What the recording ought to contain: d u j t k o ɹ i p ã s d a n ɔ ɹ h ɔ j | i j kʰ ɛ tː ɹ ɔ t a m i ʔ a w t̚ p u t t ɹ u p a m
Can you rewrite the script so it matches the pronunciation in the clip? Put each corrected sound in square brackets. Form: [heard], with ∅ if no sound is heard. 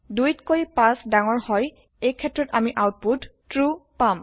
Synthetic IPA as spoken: d u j t k o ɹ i p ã s d a [ŋ] ɔ ɹ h ɔ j | [e] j kʰ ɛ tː ɹ ɔ t a m i ʔ a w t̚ p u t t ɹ u p a m